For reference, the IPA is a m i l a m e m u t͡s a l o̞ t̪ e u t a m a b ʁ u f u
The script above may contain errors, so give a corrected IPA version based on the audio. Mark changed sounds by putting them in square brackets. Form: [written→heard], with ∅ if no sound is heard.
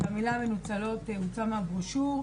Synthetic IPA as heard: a m i l a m e [m→n] u t͡s a l o̞ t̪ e u [t→t͡s] a m a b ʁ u [f→ʃ] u